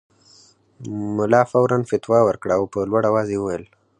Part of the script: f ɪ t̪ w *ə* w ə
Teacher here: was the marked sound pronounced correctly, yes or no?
no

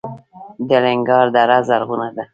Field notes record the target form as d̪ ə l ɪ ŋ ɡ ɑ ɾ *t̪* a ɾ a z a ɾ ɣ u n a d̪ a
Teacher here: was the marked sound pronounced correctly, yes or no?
no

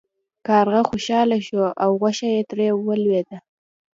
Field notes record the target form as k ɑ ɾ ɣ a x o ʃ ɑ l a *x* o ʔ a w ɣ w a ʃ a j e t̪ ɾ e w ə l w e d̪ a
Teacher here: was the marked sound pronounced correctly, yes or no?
no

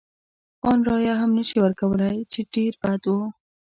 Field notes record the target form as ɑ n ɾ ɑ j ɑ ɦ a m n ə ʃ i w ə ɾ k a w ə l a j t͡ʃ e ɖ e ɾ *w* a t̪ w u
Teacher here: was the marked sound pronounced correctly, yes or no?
no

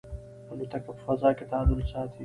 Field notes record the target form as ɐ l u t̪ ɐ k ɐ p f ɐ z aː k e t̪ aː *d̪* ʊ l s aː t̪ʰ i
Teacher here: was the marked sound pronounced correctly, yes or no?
yes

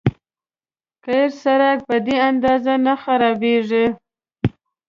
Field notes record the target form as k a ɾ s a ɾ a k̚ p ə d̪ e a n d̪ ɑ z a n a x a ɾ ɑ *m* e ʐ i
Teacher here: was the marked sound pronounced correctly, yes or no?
no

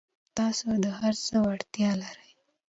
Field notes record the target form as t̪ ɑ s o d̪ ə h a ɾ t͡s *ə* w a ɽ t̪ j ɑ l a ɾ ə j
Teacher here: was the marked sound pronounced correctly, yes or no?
yes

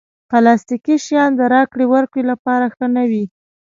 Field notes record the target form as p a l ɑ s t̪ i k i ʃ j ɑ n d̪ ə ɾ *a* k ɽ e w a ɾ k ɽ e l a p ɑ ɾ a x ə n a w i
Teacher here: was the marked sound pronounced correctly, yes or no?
no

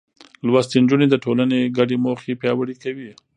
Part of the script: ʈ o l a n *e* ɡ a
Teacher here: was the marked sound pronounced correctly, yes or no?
yes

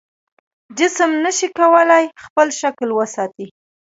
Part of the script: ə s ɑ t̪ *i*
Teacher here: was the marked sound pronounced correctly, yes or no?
yes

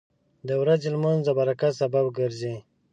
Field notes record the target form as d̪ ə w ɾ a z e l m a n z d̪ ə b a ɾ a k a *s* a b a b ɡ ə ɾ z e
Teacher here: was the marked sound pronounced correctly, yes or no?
yes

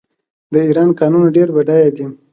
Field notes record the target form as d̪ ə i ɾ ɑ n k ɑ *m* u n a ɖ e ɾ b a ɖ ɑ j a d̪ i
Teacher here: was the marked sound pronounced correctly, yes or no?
no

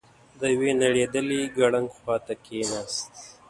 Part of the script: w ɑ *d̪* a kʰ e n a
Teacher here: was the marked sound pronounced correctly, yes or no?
no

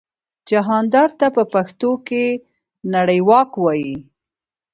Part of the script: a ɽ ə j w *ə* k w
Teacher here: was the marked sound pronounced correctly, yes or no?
no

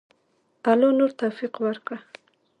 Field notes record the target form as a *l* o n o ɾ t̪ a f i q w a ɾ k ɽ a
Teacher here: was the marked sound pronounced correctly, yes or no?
yes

